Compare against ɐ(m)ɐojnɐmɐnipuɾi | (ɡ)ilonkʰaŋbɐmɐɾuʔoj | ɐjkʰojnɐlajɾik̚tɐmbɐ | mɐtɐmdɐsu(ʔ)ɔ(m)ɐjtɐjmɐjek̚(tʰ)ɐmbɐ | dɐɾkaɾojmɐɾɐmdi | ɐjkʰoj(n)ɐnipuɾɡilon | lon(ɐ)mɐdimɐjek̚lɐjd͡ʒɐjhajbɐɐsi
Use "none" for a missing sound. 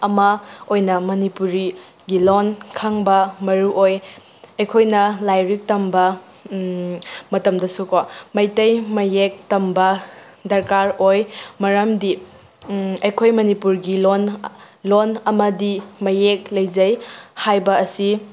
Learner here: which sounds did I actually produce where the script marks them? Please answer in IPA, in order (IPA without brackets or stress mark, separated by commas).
m, ɡ, k, m, t, m, ɐ